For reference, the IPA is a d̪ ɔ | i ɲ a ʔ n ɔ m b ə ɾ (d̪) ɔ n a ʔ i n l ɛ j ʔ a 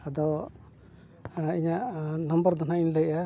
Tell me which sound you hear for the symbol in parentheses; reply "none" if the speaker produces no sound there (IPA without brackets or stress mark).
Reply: d̪